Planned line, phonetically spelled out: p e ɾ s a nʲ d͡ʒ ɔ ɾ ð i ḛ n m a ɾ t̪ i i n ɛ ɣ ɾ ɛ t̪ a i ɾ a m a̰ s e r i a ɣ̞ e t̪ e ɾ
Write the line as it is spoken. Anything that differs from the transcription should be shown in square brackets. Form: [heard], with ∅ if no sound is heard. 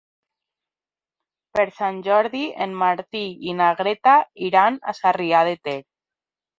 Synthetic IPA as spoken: p e ɾ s a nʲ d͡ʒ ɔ ɾ ð i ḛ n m a ɾ t̪ i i n [a] ɣ ɾ [e] t̪ a i ɾ a [n] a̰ s [a] r i a [ð̞] e t̪ e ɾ